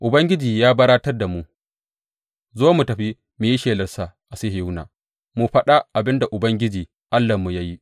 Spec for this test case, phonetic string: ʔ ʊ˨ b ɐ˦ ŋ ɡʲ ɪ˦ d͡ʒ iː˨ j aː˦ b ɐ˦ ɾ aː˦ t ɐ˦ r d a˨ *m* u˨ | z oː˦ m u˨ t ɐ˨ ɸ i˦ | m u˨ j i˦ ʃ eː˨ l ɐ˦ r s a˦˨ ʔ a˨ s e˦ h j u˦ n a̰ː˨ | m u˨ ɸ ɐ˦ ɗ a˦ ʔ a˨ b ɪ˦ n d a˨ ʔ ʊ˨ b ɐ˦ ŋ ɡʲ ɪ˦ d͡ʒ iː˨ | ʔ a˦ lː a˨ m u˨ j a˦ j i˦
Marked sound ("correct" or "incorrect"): correct